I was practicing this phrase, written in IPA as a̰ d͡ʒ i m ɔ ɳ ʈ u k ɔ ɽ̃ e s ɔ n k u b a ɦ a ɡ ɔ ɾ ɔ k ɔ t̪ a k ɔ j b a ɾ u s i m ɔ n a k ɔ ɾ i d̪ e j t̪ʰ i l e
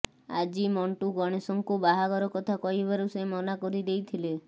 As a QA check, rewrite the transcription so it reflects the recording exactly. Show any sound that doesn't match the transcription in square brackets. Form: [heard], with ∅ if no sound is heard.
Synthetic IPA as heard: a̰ d͡ʒ i m ɔ ɳ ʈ u [ɡ] ɔ ɽ̃ e s ɔ [ŋ] k u b a ɦ a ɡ ɔ ɾ ɔ k ɔ [t̪ʰ] a k ɔ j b a ɾ u s [e] m ɔ n a k ɔ ɾ i d̪ e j t̪ʰ i l e